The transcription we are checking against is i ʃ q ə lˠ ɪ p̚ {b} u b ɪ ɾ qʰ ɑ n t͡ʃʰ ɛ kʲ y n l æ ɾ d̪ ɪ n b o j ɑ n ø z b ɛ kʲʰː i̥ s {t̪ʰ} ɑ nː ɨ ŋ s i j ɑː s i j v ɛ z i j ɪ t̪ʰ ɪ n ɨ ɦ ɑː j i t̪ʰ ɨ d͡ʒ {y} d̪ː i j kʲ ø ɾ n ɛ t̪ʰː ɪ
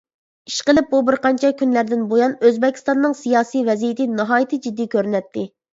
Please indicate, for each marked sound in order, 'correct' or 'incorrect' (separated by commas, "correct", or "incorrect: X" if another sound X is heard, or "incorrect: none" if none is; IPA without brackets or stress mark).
correct, incorrect: t̪, incorrect: i